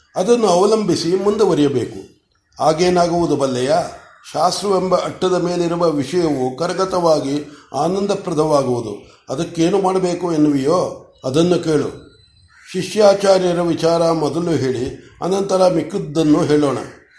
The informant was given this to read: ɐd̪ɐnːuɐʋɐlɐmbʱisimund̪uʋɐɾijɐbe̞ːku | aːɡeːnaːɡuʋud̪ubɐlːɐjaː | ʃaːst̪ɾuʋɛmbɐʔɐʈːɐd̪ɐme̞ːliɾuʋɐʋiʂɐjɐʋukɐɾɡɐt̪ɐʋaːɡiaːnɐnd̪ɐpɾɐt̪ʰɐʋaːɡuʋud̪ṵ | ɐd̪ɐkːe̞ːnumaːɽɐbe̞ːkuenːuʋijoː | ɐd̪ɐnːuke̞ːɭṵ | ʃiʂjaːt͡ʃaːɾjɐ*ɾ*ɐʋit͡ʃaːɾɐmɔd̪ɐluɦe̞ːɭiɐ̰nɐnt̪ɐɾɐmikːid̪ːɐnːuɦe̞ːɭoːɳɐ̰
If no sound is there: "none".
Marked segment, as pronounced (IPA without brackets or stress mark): ɾ